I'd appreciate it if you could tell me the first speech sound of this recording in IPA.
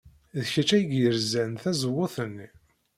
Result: ð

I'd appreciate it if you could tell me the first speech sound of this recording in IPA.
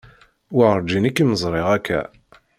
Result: w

